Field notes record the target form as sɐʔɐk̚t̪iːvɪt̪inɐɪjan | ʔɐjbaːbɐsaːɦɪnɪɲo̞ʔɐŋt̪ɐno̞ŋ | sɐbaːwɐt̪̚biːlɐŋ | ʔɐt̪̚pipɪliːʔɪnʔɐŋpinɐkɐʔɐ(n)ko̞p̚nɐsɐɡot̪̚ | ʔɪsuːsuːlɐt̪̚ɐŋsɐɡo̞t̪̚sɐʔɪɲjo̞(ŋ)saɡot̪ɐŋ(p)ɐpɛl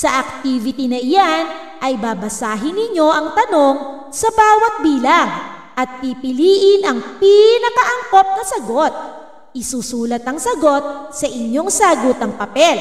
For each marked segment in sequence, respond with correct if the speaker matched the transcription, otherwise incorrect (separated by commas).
incorrect, correct, correct